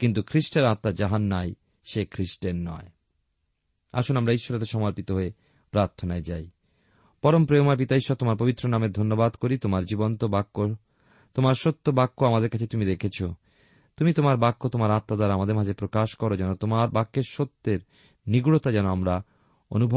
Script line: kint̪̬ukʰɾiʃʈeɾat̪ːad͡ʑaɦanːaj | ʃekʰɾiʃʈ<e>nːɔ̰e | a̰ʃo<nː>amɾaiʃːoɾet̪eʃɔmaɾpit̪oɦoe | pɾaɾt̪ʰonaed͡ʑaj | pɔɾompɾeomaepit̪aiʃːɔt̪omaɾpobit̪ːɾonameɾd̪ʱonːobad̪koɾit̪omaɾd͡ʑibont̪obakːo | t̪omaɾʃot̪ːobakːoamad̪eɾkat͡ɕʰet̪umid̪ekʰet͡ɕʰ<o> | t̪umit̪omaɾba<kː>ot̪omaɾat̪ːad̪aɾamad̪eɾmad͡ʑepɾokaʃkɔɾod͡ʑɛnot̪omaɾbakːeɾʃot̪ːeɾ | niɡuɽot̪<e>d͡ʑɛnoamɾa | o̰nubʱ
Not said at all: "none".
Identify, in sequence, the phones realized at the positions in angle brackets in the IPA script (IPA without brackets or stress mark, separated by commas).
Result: e, n, o, kː, a